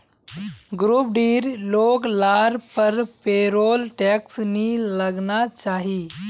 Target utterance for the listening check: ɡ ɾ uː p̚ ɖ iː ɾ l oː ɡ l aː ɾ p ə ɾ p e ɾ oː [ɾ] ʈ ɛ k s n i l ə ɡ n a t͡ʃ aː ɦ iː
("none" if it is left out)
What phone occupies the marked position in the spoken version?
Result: l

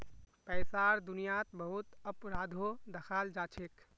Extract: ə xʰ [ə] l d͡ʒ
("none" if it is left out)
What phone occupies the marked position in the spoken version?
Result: a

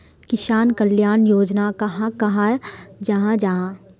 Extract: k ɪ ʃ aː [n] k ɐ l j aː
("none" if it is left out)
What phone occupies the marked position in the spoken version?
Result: n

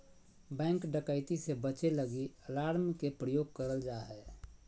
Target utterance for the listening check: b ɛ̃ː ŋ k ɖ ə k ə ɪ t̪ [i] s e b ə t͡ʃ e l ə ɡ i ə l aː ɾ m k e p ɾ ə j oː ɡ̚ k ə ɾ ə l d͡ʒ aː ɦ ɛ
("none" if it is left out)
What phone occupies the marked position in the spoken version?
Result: i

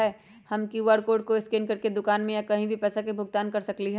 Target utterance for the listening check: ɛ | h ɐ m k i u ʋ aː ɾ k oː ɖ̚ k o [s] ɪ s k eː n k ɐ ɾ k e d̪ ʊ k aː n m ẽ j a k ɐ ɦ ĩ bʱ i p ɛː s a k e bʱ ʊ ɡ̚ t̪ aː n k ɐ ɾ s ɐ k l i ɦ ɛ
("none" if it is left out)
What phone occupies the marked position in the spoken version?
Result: none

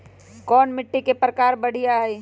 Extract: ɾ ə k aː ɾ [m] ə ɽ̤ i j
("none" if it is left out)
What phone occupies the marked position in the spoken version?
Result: b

